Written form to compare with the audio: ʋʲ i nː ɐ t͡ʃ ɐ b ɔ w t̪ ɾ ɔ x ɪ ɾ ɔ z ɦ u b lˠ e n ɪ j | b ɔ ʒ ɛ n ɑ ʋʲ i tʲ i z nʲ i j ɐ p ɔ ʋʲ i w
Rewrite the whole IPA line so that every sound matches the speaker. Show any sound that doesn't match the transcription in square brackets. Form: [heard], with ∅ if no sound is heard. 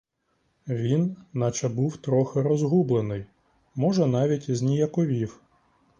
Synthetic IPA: ʋʲ i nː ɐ t͡ʃ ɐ b [u] w t̪ ɾ ɔ x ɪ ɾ ɔ z ɦ u b lˠ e n ɪ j | [m] ɔ ʒ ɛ n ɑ ʋʲ i tʲ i z nʲ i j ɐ [k] ɔ ʋʲ i w